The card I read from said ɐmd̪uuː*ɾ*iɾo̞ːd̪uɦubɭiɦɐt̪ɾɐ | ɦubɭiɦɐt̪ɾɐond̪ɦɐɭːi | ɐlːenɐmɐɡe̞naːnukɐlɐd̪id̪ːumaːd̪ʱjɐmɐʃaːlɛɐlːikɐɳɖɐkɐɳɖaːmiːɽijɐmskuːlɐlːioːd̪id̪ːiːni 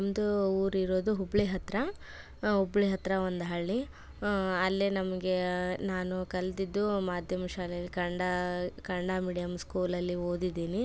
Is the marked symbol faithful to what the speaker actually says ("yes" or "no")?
yes